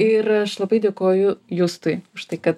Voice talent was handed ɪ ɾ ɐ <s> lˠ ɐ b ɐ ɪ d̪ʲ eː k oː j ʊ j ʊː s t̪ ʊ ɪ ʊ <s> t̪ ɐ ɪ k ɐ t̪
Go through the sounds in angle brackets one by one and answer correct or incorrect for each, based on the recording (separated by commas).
incorrect, incorrect